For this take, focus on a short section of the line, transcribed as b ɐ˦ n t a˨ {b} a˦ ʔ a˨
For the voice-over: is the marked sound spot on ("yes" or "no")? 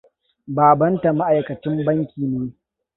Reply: no